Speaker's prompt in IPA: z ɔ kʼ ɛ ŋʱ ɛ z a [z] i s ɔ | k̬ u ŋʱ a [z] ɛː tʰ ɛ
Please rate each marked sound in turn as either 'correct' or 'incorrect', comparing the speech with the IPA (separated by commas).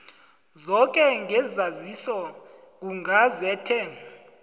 correct, correct